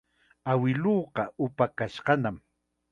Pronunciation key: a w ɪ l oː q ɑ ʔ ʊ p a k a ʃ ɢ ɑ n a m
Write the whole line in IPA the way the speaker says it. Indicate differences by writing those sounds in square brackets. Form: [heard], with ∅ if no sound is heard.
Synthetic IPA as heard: a w ɪ l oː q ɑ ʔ ʊ p a k a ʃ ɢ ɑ n a m